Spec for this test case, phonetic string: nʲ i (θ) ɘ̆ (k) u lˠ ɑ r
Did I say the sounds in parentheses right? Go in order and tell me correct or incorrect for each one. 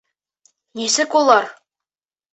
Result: incorrect, correct

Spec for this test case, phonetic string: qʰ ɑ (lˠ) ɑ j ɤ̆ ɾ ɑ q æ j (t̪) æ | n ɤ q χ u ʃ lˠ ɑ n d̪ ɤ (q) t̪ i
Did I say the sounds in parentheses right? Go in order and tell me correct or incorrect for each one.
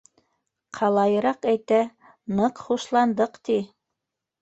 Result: correct, correct, correct

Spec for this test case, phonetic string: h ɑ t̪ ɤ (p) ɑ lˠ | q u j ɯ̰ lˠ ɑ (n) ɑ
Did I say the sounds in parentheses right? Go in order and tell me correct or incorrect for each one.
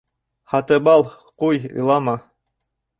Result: incorrect, incorrect

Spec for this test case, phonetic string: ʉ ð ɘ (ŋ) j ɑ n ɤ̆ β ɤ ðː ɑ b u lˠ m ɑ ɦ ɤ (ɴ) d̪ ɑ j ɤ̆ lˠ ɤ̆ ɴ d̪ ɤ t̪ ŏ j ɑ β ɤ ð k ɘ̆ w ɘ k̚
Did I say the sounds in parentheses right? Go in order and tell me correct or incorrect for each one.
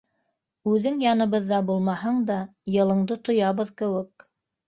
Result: correct, correct

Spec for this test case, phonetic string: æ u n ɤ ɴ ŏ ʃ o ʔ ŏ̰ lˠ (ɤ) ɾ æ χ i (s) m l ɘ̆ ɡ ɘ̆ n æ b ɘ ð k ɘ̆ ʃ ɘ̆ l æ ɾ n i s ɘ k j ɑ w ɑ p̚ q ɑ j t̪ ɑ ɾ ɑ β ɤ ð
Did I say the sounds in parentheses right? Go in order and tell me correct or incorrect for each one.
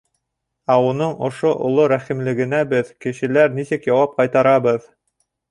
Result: incorrect, incorrect

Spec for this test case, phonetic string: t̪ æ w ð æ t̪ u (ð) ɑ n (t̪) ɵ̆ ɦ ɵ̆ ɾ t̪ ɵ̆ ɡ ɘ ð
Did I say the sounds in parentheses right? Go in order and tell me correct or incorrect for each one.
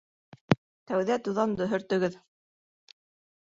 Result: correct, incorrect

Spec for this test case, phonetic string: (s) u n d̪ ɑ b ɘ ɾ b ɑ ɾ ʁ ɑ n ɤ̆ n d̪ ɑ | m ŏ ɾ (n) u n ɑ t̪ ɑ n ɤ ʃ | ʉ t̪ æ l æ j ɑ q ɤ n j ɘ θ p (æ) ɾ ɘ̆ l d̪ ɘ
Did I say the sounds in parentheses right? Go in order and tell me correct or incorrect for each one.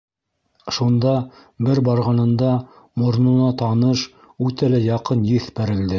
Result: incorrect, correct, correct

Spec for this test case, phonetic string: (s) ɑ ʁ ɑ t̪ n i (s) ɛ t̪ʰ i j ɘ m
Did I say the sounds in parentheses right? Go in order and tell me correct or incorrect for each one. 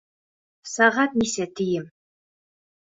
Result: correct, correct

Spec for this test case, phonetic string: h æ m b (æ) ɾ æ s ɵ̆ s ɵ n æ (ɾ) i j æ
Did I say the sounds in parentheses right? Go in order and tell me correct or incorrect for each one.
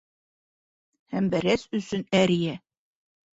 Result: correct, correct

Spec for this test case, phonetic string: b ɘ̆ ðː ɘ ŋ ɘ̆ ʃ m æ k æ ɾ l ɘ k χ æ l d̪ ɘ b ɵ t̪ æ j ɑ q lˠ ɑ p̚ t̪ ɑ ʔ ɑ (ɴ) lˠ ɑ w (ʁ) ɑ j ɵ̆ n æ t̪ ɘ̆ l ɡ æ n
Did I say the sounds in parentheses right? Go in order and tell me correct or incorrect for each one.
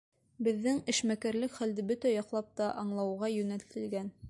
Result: correct, correct

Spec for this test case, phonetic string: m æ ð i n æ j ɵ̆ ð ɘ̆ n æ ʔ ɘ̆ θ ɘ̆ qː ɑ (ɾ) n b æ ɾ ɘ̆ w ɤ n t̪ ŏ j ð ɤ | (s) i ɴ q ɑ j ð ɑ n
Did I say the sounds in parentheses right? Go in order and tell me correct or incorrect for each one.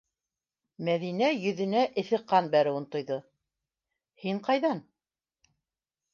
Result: incorrect, incorrect

